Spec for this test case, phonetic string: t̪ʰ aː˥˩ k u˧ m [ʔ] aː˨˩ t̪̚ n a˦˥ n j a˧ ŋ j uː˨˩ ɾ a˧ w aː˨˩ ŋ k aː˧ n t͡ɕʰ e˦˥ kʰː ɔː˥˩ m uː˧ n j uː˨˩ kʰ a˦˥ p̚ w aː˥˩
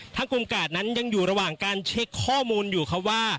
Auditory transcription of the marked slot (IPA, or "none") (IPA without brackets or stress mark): k